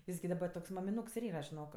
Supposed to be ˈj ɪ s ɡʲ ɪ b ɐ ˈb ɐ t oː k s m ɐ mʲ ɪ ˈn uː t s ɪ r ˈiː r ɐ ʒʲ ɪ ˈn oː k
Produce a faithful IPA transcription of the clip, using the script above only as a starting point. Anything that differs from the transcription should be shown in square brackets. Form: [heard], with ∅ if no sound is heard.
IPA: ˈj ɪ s ɡʲ ɪ [d] ɐ ˈb ɐ t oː k s m ɐ mʲ ɪ ˈn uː [k] s ɪ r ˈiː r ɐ ʒʲ ɪ ˈn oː k